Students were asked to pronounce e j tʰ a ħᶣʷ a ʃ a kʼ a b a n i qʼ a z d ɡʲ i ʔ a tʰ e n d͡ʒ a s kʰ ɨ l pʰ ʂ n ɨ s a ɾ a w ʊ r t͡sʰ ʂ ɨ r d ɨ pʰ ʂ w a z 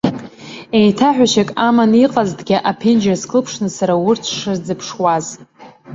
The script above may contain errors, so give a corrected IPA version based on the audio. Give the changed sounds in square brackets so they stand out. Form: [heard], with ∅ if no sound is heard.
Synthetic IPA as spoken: e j tʰ a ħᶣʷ a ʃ a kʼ a [m] a n i qʼ a z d ɡʲ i ʔ a [pʰ] e n d͡ʒ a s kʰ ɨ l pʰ ʂ n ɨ s a ɾ a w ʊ r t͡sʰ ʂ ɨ r [d͡z] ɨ pʰ ʂ w a z